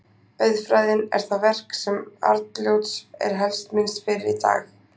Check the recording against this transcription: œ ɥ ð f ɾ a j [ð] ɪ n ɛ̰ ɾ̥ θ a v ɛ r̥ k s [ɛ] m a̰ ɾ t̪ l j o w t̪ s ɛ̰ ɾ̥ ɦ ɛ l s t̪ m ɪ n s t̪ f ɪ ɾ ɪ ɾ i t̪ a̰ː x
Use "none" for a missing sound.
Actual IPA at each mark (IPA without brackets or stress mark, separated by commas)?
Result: ð, ɛ